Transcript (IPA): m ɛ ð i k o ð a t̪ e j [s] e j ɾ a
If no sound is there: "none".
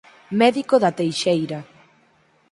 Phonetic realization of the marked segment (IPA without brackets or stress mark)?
ʃ